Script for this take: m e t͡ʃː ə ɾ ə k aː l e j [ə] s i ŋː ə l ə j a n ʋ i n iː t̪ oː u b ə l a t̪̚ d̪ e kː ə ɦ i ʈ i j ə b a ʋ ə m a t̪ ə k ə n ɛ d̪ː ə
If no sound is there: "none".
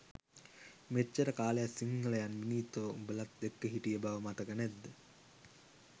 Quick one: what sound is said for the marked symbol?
a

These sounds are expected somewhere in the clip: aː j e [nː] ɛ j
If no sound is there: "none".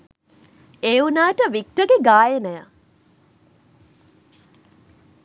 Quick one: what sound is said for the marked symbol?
n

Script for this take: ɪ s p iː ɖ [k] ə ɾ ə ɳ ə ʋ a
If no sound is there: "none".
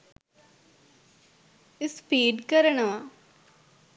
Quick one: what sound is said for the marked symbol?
k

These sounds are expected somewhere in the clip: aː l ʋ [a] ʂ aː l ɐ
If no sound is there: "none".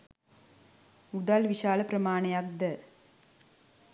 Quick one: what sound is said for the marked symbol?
i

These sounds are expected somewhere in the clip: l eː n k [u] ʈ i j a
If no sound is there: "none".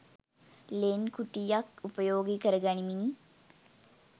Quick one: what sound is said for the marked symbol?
u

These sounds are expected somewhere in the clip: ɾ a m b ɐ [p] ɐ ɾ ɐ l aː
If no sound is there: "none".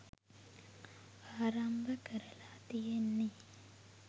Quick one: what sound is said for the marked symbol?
k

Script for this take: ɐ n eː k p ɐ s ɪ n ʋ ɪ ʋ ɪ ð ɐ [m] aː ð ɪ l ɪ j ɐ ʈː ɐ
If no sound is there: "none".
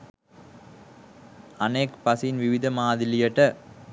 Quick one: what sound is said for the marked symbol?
m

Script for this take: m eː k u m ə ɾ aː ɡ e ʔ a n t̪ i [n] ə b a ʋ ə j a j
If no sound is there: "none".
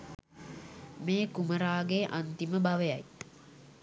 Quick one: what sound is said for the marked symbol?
m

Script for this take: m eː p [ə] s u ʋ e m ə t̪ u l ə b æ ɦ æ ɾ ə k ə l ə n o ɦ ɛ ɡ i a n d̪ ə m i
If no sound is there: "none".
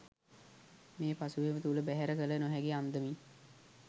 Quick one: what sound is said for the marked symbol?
a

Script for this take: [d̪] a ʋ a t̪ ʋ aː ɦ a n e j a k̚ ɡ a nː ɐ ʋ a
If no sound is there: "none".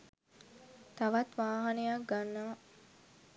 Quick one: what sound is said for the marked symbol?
t̪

